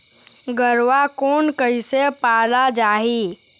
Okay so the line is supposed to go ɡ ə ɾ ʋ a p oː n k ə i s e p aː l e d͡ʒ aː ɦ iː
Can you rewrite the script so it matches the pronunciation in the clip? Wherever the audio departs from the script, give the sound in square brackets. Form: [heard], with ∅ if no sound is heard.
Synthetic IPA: ɡ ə ɾ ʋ a [k] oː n k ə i s e p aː l [a] d͡ʒ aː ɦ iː